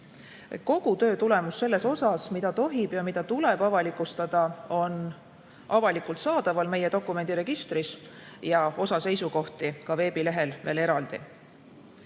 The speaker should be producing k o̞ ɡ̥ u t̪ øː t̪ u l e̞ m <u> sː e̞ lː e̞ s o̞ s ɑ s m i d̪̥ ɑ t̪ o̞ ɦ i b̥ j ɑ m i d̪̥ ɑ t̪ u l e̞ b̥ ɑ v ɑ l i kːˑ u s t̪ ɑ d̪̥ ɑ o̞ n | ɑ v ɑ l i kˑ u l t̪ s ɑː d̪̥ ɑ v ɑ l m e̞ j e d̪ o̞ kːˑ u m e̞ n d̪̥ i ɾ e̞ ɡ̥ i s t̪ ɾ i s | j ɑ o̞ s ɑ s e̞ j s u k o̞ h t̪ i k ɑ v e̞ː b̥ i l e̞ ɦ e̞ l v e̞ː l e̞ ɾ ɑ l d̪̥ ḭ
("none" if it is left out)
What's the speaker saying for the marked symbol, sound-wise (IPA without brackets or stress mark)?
u